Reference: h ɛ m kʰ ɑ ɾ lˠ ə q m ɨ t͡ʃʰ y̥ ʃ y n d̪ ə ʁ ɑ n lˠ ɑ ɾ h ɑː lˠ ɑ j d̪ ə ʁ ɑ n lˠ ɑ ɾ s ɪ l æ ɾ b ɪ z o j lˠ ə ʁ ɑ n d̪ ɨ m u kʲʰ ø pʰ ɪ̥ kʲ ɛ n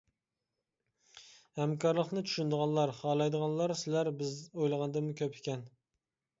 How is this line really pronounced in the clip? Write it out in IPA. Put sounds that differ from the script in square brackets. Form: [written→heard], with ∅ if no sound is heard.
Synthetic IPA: h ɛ m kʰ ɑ ɾ lˠ ə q [m→n] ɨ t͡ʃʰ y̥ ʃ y n d̪ ə ʁ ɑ n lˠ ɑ ɾ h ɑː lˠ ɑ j d̪ ə ʁ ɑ n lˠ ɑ ɾ s ɪ l æ ɾ b ɪ z o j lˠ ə ʁ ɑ n d̪ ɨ m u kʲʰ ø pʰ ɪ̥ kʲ ɛ n